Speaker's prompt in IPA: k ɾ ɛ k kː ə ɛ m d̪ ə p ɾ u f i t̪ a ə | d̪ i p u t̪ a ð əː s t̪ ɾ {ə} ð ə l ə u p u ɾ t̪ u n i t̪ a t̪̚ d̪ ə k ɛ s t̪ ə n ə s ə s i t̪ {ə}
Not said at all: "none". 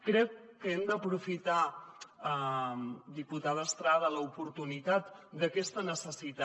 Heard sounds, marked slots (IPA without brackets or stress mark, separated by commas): a, a